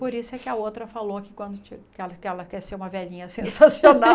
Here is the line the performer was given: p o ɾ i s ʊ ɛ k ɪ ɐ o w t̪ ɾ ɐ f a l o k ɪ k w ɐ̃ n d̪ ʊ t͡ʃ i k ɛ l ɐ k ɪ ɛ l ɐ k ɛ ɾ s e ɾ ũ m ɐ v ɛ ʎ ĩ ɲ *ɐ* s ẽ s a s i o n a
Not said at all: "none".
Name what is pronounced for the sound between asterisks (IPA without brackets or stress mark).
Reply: ɐ